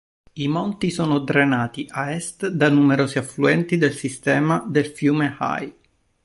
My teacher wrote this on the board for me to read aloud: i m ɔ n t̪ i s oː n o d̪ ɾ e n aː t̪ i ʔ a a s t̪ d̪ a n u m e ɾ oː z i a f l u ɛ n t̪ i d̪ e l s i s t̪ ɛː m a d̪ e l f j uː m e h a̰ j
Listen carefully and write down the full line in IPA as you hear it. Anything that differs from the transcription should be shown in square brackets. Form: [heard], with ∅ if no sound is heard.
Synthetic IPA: i m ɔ n t̪ i s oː n o d̪ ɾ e n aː t̪ i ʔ a [ɛ] s t̪ d̪ a n u m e ɾ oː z i a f l u ɛ n t̪ i d̪ e l s i s t̪ ɛː m a d̪ e l f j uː m e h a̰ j